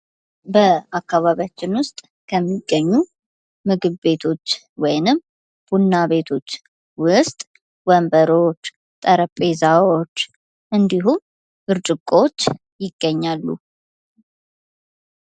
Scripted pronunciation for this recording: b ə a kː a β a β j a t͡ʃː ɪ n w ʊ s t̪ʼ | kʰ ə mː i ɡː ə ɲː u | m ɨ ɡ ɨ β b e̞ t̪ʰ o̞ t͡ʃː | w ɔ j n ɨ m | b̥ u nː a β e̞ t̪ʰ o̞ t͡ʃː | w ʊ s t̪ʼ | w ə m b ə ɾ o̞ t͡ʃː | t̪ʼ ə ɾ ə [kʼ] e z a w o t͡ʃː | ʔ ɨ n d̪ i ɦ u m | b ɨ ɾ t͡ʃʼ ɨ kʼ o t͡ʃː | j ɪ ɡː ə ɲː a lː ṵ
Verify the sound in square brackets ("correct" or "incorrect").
incorrect